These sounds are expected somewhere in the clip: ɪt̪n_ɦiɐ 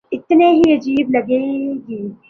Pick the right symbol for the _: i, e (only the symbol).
e